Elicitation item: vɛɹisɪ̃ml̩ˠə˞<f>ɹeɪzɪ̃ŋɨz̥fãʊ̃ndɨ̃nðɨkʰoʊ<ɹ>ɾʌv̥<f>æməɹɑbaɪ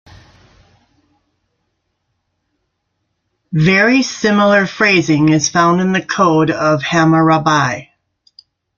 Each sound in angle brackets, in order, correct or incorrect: correct, incorrect: none, incorrect: h

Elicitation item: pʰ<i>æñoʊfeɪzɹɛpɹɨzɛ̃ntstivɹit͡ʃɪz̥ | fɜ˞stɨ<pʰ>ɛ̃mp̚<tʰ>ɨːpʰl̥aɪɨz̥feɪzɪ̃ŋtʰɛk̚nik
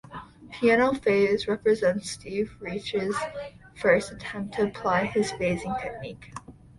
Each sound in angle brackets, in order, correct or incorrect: correct, incorrect: tʰ, correct

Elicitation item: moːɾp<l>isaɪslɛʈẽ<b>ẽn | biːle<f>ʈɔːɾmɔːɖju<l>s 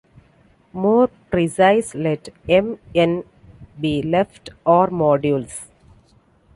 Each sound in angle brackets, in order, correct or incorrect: incorrect: ɾ, incorrect: m, correct, correct

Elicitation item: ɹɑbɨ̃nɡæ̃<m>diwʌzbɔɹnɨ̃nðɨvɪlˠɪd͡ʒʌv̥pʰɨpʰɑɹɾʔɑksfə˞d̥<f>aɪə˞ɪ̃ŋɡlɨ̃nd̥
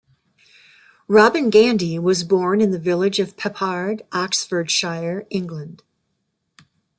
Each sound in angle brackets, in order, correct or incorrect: incorrect: n, incorrect: ʃ

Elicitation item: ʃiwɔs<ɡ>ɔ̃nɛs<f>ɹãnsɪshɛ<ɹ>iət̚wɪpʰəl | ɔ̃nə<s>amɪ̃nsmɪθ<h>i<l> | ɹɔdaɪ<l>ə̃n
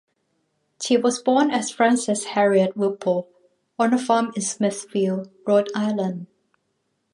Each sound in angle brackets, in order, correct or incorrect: incorrect: b, correct, correct, incorrect: f, incorrect: f, correct, correct

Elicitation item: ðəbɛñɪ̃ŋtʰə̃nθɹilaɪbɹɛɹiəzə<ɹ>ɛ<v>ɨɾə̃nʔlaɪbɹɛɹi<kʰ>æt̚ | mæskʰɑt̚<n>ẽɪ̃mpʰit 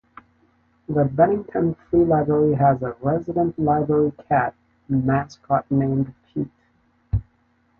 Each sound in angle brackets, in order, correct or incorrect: correct, incorrect: z, correct, correct

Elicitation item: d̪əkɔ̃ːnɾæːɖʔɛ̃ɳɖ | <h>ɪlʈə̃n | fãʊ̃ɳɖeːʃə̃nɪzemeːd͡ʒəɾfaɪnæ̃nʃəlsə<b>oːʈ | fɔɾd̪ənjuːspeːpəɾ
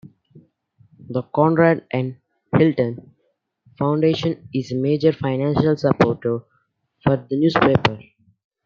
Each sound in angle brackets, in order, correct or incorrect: correct, incorrect: p

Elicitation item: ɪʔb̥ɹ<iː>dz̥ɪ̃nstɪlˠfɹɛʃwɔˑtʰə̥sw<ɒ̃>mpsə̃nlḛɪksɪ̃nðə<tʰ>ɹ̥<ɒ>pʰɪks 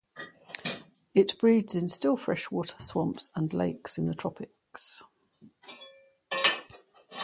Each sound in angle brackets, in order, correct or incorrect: correct, correct, correct, correct

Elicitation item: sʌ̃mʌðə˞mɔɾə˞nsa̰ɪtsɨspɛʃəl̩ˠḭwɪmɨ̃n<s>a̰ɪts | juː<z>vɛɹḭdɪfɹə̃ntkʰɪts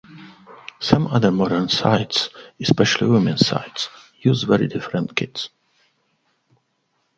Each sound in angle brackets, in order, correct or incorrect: correct, correct

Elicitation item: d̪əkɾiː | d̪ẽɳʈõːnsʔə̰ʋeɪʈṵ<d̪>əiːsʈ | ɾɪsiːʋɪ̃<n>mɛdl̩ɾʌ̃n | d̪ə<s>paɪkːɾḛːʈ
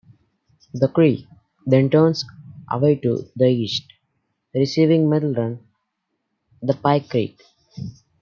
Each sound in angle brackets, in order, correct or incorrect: correct, incorrect: ŋ, incorrect: none

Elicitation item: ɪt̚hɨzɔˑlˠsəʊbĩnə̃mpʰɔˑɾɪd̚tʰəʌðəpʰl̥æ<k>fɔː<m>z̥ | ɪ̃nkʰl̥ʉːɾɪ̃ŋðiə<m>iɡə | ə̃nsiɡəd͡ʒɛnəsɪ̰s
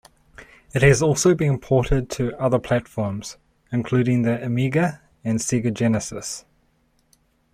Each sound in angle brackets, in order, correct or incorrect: incorrect: t, correct, correct

